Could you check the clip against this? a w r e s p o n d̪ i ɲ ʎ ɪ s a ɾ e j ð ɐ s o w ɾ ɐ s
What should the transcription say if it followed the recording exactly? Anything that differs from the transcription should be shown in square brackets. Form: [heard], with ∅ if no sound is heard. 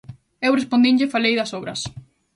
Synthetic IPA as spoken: [e] w r e s p o n d̪ i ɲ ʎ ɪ [f] a [l] e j ð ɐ s o [β] ɾ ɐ s